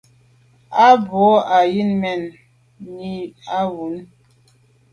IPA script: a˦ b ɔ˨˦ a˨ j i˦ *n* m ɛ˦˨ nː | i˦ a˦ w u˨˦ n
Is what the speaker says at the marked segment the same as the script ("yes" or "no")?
yes